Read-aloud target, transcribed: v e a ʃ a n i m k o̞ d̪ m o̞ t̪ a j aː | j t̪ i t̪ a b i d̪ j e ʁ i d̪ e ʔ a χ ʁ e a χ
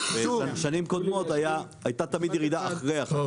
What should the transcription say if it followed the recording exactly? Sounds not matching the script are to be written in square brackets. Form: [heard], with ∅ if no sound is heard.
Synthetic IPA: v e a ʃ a n i m k o̞ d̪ m o̞ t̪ a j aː | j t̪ [a] t̪ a [m] i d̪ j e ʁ i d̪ [a] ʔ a χ ʁ e a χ